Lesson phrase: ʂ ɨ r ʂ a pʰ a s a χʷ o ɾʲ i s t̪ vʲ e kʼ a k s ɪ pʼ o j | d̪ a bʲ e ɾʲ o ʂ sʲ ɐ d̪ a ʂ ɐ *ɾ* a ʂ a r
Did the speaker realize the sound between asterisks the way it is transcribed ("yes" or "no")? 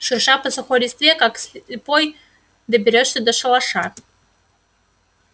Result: no